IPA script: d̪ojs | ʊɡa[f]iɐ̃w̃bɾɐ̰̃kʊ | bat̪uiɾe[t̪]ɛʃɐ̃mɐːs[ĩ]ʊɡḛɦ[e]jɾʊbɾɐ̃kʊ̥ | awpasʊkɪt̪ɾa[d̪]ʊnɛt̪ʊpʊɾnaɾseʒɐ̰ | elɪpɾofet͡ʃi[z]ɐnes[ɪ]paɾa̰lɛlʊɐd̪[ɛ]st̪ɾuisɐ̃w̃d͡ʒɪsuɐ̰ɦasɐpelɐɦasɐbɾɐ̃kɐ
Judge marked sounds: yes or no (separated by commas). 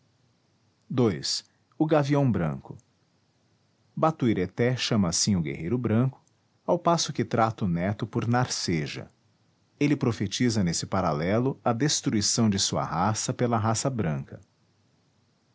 no, yes, yes, yes, no, yes, yes, no